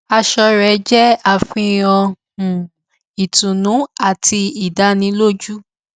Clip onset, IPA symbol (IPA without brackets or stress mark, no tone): a